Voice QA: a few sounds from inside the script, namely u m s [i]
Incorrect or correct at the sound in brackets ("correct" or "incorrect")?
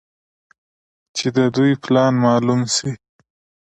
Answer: correct